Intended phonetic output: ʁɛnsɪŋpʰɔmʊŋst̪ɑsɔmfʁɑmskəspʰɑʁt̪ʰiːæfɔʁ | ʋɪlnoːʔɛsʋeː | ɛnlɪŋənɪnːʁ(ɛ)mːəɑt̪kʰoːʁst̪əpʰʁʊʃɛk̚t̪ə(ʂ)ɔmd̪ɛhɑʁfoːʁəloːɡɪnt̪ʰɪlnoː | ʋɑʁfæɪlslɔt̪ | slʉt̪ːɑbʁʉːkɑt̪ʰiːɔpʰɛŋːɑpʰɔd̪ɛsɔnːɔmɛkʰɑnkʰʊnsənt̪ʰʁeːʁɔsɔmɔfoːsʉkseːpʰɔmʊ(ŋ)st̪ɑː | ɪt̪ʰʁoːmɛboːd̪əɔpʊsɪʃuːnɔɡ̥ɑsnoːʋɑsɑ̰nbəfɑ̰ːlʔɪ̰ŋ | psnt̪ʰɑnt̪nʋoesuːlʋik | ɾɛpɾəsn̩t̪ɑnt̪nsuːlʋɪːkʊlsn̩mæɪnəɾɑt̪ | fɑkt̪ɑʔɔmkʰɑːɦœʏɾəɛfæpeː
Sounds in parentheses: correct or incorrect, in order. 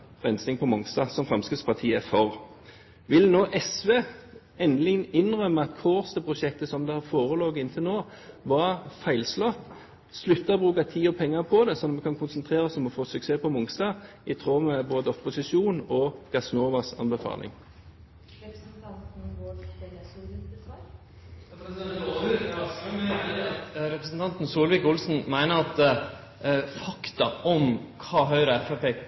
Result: incorrect, incorrect, correct

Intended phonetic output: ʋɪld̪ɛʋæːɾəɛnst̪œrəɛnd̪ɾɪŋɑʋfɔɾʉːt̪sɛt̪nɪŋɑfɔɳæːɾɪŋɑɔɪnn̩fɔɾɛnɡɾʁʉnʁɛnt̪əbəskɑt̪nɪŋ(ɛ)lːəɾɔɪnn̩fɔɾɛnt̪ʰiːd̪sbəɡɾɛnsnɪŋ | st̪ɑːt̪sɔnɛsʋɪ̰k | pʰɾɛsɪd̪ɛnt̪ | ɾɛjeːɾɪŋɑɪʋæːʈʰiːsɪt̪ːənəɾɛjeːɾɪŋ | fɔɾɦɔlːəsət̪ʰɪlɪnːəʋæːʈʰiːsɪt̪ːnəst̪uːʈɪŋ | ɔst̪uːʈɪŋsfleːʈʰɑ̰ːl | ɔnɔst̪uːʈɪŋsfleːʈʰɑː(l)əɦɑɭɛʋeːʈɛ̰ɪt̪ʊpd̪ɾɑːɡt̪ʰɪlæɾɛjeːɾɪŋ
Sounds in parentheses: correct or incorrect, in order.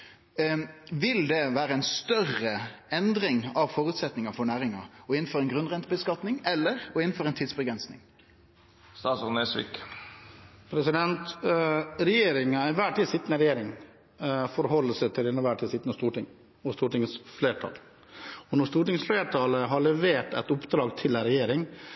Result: correct, correct

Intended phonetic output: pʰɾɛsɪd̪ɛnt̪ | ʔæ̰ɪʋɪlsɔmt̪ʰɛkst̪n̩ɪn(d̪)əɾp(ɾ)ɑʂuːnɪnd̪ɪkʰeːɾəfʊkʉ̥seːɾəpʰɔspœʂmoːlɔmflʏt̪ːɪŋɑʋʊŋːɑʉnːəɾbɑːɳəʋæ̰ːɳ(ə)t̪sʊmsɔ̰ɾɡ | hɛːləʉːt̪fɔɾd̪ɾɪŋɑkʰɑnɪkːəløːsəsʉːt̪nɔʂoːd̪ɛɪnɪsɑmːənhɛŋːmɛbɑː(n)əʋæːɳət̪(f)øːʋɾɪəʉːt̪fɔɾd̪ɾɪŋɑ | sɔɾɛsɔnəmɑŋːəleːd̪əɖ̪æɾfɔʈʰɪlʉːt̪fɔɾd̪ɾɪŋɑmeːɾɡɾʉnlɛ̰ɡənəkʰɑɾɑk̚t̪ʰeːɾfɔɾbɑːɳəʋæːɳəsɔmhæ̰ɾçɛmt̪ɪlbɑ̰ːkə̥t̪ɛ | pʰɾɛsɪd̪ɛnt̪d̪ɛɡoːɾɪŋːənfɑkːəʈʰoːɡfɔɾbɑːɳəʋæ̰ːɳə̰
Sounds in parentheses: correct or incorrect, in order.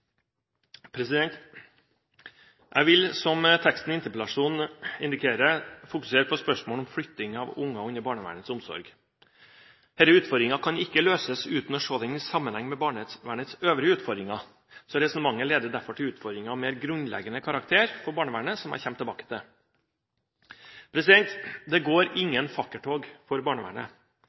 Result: incorrect, incorrect, correct, incorrect, incorrect

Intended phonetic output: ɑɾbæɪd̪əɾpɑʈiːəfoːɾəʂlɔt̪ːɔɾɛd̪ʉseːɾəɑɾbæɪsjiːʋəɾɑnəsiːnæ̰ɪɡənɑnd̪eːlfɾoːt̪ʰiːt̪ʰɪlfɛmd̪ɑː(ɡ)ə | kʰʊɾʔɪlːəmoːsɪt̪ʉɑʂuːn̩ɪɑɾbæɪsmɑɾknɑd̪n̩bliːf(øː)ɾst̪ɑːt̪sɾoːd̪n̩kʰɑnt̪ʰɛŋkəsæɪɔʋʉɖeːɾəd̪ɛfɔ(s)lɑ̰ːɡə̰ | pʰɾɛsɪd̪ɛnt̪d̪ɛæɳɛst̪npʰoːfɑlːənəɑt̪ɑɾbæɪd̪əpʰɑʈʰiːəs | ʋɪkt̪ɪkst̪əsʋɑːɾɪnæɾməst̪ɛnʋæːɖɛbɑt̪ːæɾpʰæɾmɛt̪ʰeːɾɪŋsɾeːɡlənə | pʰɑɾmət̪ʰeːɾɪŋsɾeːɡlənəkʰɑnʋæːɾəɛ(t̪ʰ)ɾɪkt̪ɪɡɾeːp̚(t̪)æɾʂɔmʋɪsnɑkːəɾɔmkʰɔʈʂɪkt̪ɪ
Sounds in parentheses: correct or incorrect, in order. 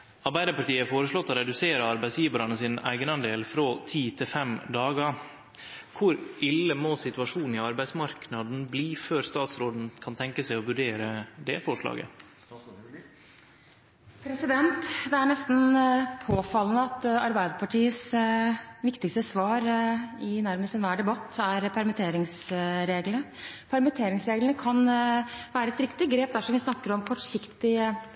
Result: correct, correct, incorrect, incorrect, incorrect

